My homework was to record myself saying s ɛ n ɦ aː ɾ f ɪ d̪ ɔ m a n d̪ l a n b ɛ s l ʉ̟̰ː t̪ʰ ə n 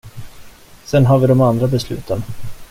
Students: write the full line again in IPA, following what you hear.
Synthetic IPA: s ɛ n ɦ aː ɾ v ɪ d̪ ɔ m a n d̪ ɾ a b ɛ s l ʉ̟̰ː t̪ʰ ə n